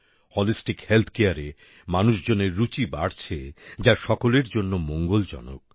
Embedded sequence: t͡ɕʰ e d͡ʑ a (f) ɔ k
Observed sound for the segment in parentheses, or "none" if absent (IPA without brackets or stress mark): ʃ